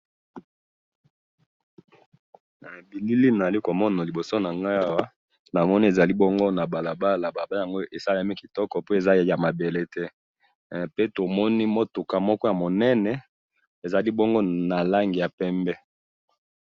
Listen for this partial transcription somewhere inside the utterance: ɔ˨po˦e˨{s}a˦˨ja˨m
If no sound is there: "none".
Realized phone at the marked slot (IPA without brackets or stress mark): z